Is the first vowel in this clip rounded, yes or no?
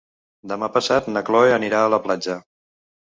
no